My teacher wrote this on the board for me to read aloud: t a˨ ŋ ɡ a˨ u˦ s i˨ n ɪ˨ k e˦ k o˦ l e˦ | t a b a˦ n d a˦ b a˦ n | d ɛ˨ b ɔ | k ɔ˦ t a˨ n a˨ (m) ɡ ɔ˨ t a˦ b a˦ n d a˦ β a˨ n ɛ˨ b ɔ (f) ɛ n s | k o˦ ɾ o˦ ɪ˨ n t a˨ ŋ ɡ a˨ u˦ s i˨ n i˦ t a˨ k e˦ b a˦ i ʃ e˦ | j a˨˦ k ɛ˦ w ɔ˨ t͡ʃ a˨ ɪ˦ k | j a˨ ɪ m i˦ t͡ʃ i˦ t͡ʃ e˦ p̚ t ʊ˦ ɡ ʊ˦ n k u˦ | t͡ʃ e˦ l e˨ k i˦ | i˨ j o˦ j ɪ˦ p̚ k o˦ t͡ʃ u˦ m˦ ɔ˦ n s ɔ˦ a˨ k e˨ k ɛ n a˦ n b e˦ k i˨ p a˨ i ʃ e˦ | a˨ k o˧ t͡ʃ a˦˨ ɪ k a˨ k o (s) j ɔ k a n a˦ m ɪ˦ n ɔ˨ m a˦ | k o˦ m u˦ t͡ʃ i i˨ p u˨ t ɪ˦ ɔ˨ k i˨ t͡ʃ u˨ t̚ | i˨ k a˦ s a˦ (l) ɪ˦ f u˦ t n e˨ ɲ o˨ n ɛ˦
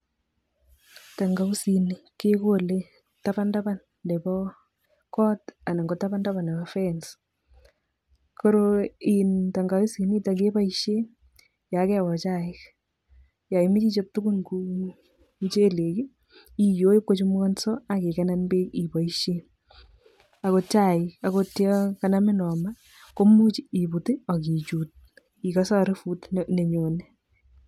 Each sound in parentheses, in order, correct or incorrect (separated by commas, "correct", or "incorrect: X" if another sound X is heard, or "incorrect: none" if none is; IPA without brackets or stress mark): incorrect: ŋ, correct, incorrect: t, incorrect: ɾ